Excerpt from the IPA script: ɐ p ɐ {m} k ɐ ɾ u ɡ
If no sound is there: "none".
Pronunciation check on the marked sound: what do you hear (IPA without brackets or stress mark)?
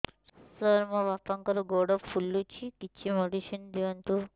ŋ